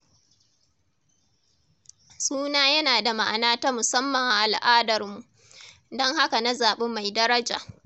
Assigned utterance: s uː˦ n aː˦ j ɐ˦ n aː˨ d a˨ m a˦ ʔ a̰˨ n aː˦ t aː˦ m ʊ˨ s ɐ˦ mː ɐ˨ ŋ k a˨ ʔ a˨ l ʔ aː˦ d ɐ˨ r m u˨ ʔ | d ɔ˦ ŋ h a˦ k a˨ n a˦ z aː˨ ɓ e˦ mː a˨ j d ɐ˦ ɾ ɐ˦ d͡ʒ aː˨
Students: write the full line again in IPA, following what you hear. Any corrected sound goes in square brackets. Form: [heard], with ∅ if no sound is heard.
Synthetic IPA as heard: s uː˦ n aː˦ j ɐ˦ n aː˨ d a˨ m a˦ ʔ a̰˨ n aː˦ t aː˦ m ʊ˨ s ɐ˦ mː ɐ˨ ŋ [ʔ] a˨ ʔ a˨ l ʔ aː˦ d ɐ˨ r m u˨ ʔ | d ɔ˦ ŋ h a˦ k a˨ n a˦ z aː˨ ɓ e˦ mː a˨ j d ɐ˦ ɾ ɐ˦ d͡ʒ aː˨